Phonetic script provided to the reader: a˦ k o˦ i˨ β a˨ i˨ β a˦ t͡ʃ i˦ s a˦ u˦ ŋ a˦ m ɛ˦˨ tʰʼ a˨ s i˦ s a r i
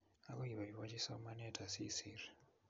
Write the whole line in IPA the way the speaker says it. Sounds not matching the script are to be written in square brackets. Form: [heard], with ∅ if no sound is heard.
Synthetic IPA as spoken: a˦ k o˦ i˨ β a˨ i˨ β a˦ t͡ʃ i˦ s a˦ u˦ [m] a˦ [n] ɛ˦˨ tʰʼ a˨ s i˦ s [i] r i